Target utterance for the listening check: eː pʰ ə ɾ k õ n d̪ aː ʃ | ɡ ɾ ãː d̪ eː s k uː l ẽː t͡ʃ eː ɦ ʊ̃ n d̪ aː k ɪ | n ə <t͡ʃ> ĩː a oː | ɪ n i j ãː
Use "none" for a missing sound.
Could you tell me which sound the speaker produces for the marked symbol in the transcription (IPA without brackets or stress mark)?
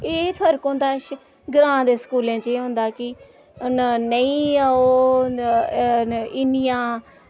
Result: none